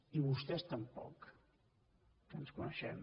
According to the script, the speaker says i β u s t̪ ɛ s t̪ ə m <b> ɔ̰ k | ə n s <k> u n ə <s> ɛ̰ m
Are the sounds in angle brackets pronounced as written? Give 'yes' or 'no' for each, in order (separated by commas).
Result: no, yes, no